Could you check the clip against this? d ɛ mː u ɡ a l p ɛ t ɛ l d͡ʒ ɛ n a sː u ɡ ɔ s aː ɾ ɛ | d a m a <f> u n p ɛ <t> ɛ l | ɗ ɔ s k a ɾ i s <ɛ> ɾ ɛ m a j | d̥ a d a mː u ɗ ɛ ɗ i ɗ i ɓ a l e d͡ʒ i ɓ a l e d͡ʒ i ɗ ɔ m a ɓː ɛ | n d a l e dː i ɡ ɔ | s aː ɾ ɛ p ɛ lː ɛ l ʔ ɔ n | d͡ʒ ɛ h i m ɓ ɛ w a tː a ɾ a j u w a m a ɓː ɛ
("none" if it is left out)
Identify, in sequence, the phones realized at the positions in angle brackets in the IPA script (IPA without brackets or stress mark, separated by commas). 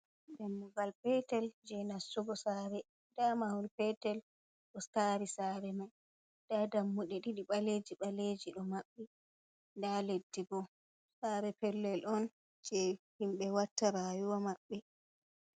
h, t, a